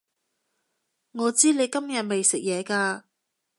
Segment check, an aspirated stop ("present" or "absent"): absent